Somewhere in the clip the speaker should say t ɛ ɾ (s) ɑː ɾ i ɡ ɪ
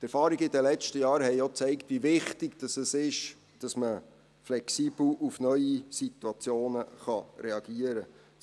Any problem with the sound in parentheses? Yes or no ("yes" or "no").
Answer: yes